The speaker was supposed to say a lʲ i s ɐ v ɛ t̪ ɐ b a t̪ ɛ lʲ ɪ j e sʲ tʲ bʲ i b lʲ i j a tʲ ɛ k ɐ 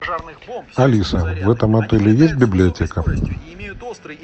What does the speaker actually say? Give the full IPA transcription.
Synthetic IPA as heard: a lʲ i s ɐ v ɛ t̪ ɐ m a t̪ ɛ lʲ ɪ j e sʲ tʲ bʲ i b lʲ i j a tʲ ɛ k ɐ